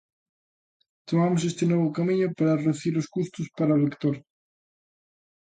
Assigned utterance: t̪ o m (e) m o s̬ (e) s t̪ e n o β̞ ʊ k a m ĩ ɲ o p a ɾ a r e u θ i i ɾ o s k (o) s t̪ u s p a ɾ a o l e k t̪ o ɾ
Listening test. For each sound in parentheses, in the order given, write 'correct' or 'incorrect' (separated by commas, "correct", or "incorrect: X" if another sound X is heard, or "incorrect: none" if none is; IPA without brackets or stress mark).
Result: incorrect: a, correct, incorrect: u